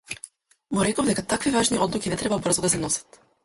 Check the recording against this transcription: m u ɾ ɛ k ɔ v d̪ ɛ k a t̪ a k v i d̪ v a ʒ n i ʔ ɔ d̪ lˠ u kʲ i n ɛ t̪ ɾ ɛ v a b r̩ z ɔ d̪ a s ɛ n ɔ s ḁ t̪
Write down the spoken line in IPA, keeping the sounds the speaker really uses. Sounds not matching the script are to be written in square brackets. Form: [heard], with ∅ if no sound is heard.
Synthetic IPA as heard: m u ɾ ɛ k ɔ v d̪ ɛ k a t̪ a k v i [∅] v a ʒ n i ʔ ɔ d̪ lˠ u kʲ i n ɛ t̪ ɾ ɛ [b] a b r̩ z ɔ d̪ a s ɛ n ɔ s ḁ t̪